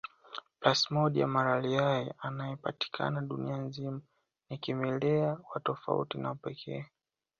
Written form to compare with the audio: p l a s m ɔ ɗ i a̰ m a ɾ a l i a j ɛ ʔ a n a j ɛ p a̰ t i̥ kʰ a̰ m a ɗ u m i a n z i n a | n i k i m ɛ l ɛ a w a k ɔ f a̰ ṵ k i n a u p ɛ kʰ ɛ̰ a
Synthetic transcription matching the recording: p l a s m ɔ ɗ i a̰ m a ɾ a l i a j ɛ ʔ a n a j ɛ p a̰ t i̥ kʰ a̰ n a ɗ u n i a n z i m a | n i k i m ɛ l ɛ a w a t ɔ f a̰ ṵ t i n a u p ɛ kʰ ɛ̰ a